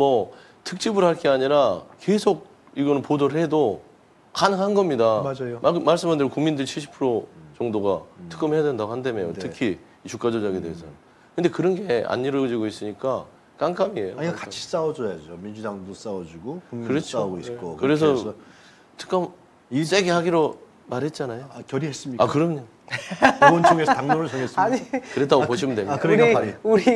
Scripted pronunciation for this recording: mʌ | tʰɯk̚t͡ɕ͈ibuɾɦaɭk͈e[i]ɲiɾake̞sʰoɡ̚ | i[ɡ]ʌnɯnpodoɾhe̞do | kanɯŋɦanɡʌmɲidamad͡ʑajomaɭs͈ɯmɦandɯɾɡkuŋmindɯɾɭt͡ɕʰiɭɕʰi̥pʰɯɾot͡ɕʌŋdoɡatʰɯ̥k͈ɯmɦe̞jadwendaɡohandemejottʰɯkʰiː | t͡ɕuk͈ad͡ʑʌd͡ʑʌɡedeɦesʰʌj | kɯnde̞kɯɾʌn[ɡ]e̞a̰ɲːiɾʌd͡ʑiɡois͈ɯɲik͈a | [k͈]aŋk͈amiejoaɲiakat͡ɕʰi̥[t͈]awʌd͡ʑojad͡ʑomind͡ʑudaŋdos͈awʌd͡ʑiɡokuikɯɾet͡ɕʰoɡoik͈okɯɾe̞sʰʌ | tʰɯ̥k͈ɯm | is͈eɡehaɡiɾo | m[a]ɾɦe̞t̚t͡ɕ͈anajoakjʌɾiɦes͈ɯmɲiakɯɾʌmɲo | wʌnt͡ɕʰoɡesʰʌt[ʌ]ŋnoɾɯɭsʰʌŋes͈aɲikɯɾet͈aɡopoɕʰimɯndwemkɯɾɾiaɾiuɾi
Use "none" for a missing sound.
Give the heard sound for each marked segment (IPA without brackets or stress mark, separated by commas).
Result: a, ɡ, ɡ, k͈, s͈, a, a